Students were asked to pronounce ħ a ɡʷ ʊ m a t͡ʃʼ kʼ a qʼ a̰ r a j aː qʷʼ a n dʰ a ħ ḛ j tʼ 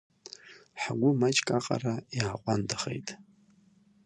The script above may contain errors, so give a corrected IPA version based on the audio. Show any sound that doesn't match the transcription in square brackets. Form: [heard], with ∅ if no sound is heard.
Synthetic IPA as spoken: ħ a ɡʷ ʊ m a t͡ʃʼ kʼ a qʼ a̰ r a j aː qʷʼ a n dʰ a [χ] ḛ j tʼ